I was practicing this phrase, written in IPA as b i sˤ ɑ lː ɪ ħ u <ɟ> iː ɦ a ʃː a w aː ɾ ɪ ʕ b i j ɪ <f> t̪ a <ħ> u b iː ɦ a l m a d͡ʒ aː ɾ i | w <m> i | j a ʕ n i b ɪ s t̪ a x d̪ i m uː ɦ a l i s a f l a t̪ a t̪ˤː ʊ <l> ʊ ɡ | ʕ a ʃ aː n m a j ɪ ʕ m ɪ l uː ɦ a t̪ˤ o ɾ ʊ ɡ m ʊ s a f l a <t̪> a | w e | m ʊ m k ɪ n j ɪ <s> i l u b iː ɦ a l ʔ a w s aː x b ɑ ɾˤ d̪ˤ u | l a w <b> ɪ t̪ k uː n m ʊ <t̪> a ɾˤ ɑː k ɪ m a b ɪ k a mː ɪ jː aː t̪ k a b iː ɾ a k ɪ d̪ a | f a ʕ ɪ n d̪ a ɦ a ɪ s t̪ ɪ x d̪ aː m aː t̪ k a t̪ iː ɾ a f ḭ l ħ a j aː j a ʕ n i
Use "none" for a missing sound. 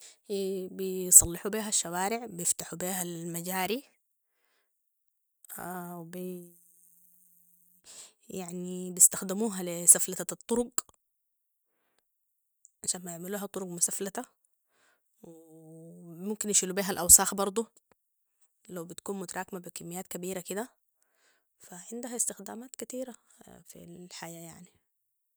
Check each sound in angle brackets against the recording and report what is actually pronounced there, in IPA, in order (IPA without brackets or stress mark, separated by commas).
b, f, ħ, b, ɾ, t̪, ʃ, b, t̪